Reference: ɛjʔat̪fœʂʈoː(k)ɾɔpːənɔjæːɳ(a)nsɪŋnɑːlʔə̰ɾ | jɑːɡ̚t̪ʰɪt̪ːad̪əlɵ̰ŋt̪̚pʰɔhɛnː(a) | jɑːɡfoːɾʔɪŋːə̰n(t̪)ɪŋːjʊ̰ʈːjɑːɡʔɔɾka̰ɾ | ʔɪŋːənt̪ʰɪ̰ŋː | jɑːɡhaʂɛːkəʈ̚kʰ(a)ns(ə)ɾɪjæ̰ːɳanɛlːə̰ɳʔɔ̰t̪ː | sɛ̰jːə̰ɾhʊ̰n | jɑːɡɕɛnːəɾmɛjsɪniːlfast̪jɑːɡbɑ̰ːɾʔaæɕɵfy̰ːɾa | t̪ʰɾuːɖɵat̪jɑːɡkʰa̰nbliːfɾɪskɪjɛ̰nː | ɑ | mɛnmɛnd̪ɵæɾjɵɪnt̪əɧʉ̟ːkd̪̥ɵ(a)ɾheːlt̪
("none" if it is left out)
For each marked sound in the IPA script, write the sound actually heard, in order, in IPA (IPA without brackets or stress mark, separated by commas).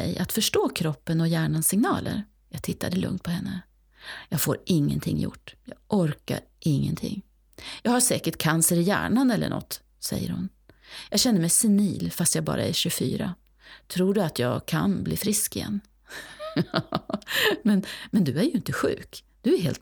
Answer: kʰ, a, ə, t̪ʰ, a, ə, æ